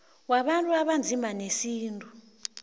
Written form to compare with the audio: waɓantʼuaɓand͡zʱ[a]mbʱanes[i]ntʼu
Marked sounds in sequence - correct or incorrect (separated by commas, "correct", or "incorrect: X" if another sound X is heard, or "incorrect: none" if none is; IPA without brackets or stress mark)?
incorrect: i, incorrect: iː